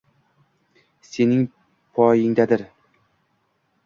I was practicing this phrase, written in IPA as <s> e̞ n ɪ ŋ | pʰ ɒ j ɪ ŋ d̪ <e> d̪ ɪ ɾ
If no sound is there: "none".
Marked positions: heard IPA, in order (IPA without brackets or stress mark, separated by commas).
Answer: s, a